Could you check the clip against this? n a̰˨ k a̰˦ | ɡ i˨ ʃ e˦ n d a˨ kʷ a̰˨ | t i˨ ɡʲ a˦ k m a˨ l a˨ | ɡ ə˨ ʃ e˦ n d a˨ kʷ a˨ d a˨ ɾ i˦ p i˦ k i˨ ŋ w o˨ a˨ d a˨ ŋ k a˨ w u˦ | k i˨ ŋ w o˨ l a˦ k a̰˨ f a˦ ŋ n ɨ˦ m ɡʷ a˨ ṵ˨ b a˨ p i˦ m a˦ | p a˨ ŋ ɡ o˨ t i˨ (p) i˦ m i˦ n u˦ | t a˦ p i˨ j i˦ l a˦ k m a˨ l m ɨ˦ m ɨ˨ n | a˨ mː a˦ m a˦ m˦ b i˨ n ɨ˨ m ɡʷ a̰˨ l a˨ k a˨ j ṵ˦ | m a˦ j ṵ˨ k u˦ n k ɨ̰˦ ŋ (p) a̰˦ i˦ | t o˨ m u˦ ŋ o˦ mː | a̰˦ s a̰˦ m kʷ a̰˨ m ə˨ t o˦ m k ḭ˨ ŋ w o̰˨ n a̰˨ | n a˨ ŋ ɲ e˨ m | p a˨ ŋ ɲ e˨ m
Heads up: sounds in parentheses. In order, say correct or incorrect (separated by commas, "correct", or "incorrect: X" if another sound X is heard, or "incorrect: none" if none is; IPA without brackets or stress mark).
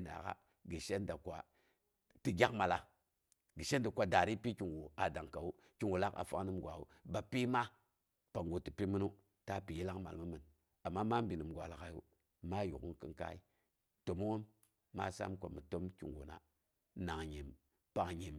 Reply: correct, incorrect: k